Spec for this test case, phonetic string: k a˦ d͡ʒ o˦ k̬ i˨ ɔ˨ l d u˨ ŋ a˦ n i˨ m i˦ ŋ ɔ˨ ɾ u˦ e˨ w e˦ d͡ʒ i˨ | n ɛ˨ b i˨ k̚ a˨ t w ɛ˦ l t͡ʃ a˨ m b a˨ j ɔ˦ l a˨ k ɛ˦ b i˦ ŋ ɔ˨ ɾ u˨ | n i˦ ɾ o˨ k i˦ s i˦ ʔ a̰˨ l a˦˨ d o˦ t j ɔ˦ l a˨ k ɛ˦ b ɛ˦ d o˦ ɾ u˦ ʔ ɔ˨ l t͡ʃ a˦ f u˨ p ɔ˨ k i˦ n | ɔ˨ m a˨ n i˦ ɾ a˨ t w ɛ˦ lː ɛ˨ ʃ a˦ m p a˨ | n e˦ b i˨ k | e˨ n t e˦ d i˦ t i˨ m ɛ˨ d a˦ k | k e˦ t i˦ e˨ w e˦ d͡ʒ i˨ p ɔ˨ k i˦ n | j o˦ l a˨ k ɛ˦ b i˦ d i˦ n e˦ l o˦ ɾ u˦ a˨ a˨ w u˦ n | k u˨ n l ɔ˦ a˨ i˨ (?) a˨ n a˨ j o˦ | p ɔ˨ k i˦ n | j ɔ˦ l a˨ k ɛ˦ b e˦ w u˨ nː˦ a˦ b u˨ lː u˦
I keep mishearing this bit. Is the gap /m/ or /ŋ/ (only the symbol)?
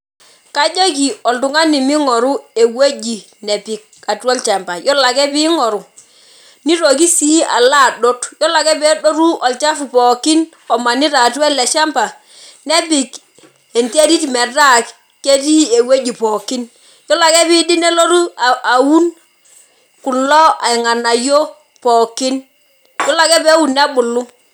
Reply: ŋ